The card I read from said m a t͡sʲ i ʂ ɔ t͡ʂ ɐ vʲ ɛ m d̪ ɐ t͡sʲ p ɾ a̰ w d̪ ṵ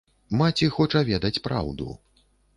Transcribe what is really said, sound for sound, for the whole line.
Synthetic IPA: m a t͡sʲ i x ɔ t͡ʂ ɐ vʲ ɛ d̪ ɐ t͡sʲ p ɾ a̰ w d̪ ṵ